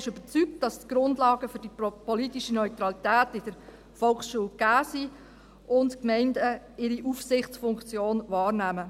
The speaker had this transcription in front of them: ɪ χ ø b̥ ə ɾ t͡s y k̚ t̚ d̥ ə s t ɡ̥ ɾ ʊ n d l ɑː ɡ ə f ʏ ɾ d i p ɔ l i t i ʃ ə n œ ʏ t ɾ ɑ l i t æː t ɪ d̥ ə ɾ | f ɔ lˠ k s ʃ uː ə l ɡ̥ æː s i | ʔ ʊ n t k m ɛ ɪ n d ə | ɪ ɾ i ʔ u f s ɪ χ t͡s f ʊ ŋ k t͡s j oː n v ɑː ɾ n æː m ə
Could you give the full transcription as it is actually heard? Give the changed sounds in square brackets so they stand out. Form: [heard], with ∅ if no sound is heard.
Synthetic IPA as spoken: ɪ [ʃ] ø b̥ ə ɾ t͡s y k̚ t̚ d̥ [ɑ] s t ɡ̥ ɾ ʊ n d l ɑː ɡ ə f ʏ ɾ d i p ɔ l i t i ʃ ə n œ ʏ t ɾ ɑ l i t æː t ɪ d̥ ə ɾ | f ɔ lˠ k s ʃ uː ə l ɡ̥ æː s i | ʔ ʊ n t k m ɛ ɪ n d ə | ɪ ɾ i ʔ u f s ɪ χ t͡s f ʊ ŋ k t͡s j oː n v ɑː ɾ n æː m ə